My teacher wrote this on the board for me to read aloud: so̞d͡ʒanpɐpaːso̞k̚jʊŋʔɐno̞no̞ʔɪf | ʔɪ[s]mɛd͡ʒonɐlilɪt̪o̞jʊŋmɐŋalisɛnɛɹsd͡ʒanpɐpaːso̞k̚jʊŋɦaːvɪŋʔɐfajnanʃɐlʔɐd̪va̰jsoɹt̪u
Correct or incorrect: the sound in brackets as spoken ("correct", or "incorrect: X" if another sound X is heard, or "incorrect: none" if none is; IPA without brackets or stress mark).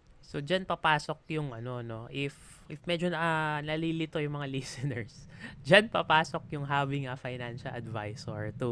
incorrect: f